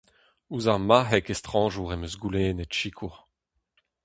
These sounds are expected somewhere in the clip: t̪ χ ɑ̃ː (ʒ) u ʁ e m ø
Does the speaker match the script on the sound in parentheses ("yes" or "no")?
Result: yes